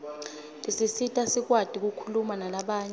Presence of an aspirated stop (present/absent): present